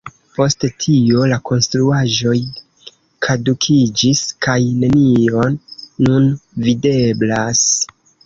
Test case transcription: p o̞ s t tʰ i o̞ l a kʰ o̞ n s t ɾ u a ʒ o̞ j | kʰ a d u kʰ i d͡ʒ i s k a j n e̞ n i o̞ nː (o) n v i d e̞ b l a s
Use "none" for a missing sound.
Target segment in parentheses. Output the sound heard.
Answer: u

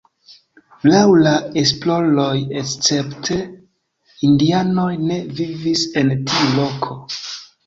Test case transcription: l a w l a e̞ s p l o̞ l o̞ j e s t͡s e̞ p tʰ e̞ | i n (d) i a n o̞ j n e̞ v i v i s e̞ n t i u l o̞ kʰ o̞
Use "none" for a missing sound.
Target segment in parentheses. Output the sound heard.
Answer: d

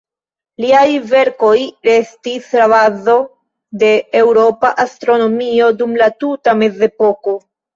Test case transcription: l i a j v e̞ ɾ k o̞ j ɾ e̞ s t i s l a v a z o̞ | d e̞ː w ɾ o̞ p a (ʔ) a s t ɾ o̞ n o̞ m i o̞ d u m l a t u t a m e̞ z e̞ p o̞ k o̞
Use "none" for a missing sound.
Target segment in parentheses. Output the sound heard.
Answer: ʔ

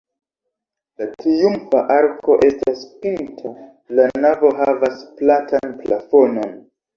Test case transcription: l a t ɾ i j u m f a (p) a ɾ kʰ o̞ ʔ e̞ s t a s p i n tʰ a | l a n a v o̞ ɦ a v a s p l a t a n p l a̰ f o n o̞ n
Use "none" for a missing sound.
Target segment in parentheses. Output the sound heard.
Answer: ʔ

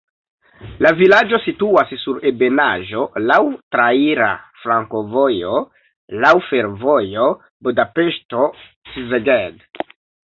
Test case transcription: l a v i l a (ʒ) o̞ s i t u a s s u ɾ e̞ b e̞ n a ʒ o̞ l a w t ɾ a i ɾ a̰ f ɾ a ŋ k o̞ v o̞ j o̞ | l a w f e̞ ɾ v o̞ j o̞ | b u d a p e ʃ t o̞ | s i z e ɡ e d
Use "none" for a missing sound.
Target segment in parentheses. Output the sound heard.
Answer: d͡ʒ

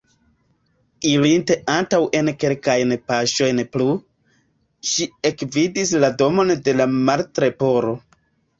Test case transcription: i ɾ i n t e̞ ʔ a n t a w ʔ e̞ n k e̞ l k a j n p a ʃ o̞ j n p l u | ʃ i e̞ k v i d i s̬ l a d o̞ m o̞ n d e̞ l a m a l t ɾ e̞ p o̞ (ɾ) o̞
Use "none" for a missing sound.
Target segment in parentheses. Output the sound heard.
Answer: ɾ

